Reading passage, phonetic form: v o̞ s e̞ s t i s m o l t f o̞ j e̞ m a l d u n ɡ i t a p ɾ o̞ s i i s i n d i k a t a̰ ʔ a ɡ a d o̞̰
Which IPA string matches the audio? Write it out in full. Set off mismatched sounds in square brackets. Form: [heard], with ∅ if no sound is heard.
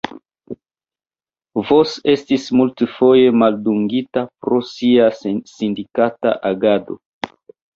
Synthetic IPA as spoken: v o̞ s e̞ s t i s m [u] l t f o̞ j e̞ m a l d u [ŋ] ɡ i t a p ɾ o̞ s i [a] s i n d i k a t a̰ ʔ a ɡ a d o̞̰